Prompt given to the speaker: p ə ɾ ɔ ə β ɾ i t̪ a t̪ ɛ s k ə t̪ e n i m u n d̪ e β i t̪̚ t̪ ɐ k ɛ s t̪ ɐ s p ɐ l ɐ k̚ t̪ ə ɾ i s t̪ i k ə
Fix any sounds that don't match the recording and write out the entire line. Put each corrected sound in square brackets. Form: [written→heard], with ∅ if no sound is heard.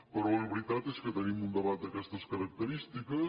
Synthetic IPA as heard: p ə ɾ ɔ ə β ɾ i t̪ a t̪ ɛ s k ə t̪ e n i m u n d̪ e β [i→a] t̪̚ [t̪→d̪] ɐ k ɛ s t̪ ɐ s [p→k] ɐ [l→ɾ] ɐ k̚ t̪ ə ɾ i s t̪ i k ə

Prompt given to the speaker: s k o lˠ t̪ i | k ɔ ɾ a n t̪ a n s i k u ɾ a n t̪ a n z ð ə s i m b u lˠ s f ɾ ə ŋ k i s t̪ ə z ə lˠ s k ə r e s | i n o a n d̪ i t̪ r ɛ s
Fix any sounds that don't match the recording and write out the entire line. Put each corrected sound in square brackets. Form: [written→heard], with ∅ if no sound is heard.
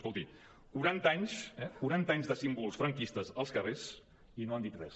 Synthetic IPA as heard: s k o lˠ t̪ i | k [ɔ→u] ɾ a n t̪ a [n→ɲ] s [i→ɛ] k u ɾ a n t̪ a [n→ɲ] z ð ə s i m b u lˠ s f ɾ ə ŋ k i s t̪ ə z ə lˠ s k ə r e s | i n o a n d̪ i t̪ r ɛ s

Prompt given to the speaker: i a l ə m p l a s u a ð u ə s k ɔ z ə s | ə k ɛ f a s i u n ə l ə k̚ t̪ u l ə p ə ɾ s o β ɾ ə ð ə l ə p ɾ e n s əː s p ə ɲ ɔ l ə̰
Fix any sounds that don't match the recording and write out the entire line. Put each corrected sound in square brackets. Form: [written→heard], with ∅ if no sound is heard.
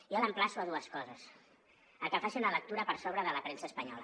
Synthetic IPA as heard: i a l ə m p l a s u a ð u ə s k ɔ z ə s | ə k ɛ f a s i u n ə l ə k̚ t̪ u [l→ɾ] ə p ə ɾ s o β ɾ ə ð ə l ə p ɾ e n s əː s p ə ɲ ɔ l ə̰

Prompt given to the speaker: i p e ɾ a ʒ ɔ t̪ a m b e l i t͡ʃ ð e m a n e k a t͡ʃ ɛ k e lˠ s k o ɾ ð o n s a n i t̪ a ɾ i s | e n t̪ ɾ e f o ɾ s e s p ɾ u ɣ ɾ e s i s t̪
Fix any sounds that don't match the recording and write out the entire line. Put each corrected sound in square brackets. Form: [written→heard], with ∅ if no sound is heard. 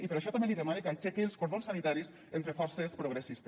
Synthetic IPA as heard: i p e ɾ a [ʒ→ʃ] ɔ t̪ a m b e l i [t͡ʃ→∅] ð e m a n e k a t͡ʃ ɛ k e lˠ s k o ɾ ð o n s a n i t̪ a ɾ i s | e n t̪ ɾ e f [o→ɔ] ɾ s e s p ɾ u ɣ ɾ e s i s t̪

